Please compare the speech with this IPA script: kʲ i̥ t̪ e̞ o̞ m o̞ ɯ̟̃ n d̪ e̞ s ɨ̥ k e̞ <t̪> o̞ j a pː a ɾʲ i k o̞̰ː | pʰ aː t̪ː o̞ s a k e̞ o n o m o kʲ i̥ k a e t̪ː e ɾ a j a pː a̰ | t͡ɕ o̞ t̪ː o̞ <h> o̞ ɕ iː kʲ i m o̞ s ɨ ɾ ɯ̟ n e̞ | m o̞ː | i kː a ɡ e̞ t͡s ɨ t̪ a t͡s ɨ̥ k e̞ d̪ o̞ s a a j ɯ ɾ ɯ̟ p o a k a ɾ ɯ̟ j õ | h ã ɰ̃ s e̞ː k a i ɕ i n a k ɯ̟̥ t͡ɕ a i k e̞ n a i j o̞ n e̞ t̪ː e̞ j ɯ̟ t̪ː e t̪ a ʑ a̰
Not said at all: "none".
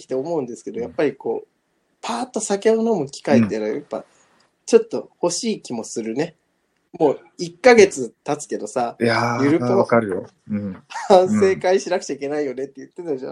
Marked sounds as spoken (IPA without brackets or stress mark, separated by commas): d̪, h